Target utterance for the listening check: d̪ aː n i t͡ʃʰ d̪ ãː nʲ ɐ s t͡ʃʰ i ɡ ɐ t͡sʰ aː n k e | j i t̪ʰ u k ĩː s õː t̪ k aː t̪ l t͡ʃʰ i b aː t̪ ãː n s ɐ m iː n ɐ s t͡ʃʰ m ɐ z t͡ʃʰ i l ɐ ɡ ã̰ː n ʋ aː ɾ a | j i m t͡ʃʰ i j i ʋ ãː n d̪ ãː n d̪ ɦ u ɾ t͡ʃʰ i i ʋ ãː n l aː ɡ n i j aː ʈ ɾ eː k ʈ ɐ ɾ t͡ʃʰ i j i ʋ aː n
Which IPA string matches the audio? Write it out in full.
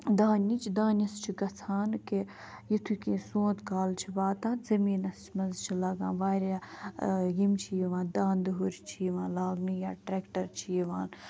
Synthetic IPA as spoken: d̪ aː n i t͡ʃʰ d̪ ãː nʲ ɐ s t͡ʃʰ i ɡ ɐ t͡sʰ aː n k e | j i t̪ʰ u k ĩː s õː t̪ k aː l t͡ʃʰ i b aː t̪ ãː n z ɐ m iː n ɐ s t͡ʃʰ m ɐ z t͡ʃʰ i l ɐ ɡ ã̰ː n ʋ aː ɾ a | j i m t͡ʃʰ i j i ʋ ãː n d̪ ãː n d̪ ɦ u ɾ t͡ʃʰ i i ʋ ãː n l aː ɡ n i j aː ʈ ɾ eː k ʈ ɐ ɾ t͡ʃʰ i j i ʋ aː n